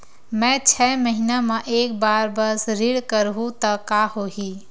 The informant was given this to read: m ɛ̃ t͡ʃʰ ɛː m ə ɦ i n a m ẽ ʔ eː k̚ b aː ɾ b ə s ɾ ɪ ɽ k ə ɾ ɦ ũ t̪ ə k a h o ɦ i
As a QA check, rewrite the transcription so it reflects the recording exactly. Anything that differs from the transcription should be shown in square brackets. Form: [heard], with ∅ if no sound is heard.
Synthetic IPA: m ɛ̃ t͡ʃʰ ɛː m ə ɦ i n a m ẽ ʔ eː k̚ b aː ɾ b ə s ɾ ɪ ɽ k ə ɾ ɦ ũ t̪ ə k a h o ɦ i